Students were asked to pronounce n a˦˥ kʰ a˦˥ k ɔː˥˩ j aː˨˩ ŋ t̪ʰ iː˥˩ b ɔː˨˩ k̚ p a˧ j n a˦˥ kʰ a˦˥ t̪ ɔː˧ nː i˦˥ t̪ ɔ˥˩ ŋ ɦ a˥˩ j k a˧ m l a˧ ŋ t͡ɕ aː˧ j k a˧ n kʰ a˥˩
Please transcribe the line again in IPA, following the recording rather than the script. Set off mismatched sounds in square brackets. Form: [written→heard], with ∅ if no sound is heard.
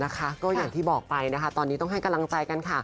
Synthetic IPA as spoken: n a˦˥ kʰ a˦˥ k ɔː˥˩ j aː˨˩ ŋ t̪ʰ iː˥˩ b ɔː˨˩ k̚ p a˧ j n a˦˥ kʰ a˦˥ t̪ ɔː˧ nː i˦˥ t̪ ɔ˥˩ ŋ ɦ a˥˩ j k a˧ m l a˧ ŋ t͡ɕ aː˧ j k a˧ n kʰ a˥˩

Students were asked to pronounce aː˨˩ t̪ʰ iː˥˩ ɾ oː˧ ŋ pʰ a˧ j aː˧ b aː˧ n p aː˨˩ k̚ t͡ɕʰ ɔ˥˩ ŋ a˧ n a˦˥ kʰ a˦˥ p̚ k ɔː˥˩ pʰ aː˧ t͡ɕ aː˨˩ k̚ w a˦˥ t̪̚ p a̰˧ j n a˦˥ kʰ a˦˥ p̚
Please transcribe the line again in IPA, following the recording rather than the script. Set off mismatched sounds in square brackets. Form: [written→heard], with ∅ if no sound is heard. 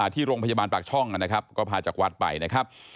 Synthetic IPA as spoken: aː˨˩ t̪ʰ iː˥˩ ɾ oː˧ ŋ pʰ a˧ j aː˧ b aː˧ n p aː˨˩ k̚ t͡ɕʰ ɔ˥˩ ŋ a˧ n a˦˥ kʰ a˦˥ p̚ k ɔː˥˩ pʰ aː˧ t͡ɕ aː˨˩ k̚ w a˦˥ t̪̚ p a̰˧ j n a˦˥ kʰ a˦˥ p̚

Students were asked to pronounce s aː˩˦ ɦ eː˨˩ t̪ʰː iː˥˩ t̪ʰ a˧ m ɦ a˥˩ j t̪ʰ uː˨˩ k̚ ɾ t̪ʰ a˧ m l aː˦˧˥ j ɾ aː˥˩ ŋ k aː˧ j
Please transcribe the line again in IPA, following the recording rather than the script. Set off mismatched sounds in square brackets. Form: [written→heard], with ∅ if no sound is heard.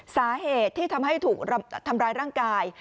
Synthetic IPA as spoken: s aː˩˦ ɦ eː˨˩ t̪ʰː iː˥˩ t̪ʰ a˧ m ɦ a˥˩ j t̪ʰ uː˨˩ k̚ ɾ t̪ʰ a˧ m [l→ɾ] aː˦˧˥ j ɾ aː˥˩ ŋ k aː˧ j

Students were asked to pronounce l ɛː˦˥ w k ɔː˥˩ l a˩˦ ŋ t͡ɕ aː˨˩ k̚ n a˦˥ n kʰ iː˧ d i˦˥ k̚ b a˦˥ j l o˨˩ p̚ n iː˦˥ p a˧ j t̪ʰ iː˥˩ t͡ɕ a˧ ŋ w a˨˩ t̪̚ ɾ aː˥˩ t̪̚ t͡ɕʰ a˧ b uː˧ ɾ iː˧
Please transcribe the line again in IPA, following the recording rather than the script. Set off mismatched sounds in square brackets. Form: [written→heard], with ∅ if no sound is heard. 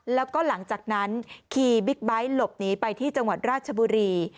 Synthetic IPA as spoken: l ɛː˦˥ w k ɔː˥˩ l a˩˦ ŋ t͡ɕ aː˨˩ k̚ n a˦˥ n kʰ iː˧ [d→b] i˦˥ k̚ b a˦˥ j l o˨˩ p̚ n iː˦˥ p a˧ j t̪ʰ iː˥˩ t͡ɕ a˧ ŋ w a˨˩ t̪̚ ɾ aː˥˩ t̪̚ t͡ɕʰ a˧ b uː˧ ɾ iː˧

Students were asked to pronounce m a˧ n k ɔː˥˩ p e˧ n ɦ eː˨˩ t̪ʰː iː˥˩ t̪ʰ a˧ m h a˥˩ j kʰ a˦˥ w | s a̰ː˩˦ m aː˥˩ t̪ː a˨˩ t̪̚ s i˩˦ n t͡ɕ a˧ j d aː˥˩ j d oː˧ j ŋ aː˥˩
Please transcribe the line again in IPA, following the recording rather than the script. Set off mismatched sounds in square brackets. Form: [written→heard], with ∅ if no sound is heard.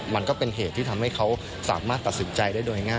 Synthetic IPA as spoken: m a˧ n k ɔː˥˩ p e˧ n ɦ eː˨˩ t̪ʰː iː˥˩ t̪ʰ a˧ m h a˥˩ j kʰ a˦˥ w | s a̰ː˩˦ m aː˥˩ t̪ː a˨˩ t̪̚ s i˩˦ n t͡ɕ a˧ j d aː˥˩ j d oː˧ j ŋ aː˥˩

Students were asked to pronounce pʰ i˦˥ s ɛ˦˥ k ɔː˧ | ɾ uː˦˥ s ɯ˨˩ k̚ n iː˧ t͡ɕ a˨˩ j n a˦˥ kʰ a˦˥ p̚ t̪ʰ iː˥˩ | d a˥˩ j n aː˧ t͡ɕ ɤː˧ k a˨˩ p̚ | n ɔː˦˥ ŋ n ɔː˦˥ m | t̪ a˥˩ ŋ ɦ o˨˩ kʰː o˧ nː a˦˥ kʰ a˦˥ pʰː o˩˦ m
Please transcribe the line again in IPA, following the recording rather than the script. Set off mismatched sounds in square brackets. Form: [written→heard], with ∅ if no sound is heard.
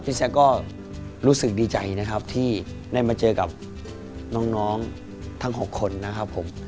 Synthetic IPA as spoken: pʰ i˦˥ s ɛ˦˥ k [ɔː˧→ɔː˥˩] | ɾ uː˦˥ s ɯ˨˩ k̚ [n→d] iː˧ t͡ɕ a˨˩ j n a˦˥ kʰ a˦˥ p̚ t̪ʰ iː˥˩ | d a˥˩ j [n→m] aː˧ t͡ɕ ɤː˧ k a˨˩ p̚ | n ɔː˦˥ ŋ n ɔː˦˥ [m→ŋ] | [t̪→t̪ʰ] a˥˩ ŋ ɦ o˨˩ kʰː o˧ nː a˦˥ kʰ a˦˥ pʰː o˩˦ m

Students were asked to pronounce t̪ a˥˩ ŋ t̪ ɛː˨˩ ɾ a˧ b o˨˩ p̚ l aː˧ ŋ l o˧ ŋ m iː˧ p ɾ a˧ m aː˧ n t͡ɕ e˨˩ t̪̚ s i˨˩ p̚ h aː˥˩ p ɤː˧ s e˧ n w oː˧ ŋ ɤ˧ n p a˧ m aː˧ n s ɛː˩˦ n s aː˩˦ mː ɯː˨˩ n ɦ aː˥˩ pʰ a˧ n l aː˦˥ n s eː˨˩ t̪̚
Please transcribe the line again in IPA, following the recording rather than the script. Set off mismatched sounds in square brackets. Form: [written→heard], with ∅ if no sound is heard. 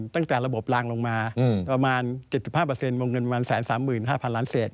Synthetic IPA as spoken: t̪ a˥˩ ŋ t̪ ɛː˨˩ ɾ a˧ b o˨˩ p̚ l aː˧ ŋ l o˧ ŋ m [iː˧→aː˧] p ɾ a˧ m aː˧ n t͡ɕ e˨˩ t̪̚ s i˨˩ p̚ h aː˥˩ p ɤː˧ s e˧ n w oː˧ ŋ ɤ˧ n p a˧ m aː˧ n s ɛː˩˦ n s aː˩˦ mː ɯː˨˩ n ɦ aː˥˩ pʰ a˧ n l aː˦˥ n s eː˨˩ t̪̚

